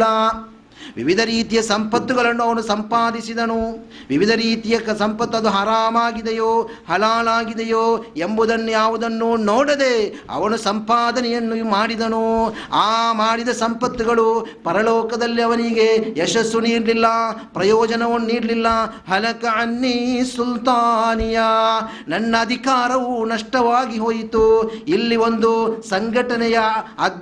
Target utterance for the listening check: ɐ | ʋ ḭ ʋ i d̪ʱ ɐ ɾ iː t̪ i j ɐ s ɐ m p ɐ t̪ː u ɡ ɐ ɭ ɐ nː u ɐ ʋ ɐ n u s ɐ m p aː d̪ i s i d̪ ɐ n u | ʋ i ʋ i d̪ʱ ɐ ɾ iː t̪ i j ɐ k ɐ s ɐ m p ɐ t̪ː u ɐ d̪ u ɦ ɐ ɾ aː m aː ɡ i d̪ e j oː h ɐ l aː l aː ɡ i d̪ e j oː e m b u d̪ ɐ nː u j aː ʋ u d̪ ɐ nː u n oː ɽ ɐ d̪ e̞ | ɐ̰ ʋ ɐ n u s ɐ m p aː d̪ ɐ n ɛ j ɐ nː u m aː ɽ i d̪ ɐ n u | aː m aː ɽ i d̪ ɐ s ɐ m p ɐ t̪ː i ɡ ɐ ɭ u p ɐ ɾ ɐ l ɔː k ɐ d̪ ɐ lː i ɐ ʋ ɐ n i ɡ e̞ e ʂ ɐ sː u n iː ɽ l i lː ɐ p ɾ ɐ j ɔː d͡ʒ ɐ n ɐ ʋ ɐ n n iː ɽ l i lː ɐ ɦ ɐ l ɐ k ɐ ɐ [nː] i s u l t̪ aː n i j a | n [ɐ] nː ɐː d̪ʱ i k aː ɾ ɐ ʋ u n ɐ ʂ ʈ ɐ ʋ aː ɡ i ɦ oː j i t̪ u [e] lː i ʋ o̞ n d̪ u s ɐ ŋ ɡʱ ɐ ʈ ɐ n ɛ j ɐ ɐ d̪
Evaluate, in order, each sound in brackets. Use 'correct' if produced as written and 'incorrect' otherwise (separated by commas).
correct, correct, incorrect